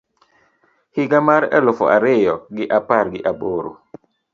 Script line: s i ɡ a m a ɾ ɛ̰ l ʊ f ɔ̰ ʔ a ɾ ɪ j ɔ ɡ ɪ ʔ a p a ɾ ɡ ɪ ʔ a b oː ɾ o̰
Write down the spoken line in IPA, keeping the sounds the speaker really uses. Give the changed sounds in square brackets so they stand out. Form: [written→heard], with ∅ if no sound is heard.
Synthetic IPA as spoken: [s→h] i ɡ a m a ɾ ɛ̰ l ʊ f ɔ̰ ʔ a ɾ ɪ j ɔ ɡ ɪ ʔ a p a ɾ ɡ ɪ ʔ a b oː ɾ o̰